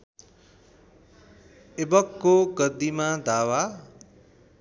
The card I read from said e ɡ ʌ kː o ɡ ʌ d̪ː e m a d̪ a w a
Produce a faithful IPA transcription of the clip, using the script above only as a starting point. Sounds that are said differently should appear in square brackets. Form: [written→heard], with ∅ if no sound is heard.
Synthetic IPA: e [ɡ→b] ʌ kː o ɡ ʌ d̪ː [e→i] m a d̪ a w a